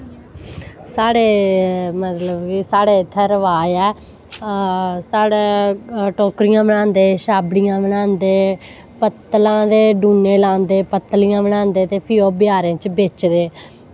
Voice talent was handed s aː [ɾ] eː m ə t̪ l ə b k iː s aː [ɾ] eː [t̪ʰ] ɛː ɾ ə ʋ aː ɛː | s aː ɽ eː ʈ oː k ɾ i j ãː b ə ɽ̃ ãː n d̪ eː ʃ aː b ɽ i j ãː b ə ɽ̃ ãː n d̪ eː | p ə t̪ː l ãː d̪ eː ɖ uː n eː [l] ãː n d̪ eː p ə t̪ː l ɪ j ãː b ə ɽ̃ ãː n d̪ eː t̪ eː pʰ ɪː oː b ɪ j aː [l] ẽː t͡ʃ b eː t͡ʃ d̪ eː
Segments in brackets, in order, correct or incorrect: incorrect: ɽ, incorrect: ɽ, correct, correct, incorrect: ɾ

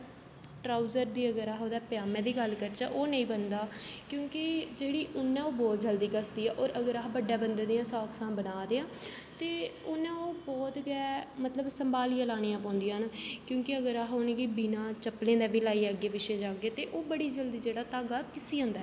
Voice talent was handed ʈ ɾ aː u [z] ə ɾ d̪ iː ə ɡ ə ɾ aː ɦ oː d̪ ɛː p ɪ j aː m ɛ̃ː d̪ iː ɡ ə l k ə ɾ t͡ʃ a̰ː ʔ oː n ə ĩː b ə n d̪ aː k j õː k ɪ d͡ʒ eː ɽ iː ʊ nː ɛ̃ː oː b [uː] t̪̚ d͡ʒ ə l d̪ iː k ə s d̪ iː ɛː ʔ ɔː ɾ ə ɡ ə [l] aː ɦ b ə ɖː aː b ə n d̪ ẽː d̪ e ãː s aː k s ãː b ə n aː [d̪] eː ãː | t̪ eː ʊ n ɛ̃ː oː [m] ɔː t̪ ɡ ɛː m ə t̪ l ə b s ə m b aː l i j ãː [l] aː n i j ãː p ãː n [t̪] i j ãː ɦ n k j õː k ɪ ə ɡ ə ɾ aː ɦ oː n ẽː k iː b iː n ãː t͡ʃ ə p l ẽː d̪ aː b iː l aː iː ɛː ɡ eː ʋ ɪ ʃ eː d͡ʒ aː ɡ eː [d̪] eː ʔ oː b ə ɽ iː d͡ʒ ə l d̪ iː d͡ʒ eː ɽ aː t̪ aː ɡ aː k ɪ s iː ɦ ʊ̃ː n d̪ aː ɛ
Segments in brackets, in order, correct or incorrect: correct, incorrect: ɔː, incorrect: ɾ, correct, incorrect: b, correct, incorrect: d̪, incorrect: t̪

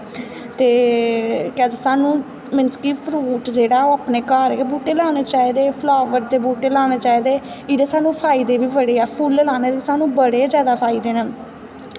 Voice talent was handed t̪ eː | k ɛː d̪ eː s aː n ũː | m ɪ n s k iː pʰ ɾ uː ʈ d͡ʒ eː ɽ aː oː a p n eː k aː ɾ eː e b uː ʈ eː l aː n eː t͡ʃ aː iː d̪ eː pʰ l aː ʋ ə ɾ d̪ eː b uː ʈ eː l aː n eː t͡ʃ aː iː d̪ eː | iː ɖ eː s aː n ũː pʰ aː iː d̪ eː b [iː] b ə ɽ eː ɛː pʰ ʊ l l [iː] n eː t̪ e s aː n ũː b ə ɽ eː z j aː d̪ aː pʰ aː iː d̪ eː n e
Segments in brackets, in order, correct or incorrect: correct, incorrect: aː

